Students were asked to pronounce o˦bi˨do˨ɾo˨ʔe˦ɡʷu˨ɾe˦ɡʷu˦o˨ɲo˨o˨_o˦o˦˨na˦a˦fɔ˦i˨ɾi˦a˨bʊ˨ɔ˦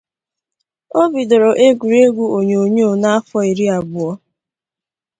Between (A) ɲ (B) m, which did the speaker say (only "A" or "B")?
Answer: A